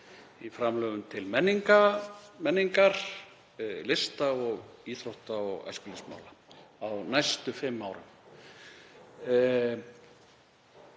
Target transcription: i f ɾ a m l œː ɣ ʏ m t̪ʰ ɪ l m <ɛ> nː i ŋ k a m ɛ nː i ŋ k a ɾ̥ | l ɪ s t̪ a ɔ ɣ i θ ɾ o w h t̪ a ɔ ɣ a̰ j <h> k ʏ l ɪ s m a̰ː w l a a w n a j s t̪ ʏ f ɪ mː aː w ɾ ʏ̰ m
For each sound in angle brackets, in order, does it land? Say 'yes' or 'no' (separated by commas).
yes, no